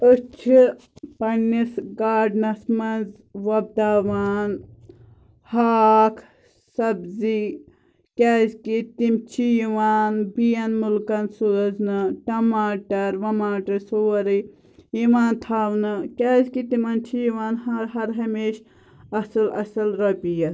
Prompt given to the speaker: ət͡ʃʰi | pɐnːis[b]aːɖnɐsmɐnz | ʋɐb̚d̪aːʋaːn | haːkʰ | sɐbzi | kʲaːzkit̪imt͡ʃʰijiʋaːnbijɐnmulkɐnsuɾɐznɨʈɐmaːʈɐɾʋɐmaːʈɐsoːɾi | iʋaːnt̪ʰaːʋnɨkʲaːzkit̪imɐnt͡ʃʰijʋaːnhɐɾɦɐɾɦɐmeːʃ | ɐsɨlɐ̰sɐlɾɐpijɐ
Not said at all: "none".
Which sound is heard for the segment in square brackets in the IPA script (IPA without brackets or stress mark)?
ɡ